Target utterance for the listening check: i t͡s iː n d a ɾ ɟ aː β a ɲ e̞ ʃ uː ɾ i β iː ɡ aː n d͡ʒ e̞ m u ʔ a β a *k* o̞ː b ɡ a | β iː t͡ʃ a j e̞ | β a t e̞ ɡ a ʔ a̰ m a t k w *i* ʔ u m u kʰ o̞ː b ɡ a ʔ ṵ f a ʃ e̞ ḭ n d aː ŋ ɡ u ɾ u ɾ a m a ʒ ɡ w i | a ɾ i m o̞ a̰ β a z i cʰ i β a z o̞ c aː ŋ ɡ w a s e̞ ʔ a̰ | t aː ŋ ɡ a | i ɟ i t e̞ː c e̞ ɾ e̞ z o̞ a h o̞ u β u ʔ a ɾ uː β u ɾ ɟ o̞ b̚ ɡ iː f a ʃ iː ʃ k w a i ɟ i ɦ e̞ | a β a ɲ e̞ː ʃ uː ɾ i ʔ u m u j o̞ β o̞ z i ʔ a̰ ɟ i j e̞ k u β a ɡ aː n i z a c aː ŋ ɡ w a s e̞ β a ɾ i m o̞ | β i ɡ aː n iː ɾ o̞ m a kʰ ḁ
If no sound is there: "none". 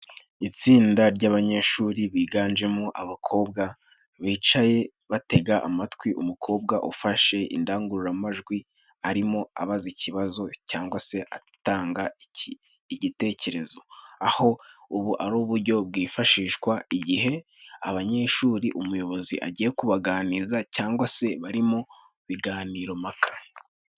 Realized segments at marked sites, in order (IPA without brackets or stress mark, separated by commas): kʰ, i